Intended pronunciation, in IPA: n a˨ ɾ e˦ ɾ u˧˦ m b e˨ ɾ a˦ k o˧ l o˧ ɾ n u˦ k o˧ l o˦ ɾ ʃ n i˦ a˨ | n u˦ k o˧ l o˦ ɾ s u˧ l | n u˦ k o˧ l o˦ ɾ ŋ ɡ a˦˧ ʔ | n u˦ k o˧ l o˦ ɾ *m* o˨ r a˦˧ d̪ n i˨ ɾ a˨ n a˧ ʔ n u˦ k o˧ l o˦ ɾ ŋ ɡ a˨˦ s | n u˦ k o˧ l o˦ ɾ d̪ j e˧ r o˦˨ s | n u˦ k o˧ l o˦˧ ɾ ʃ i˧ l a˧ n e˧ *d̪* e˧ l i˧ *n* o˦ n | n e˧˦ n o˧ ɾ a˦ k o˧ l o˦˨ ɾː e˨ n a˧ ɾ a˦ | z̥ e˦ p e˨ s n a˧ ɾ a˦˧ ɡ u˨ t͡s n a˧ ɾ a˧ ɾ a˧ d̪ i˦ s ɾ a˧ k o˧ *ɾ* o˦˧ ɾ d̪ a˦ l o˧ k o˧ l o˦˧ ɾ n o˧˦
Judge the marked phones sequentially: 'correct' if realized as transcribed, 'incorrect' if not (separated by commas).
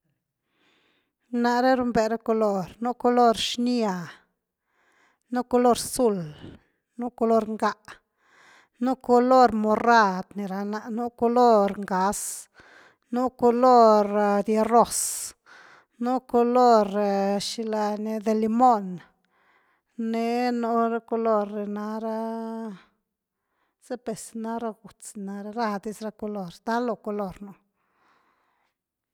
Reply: correct, correct, incorrect, incorrect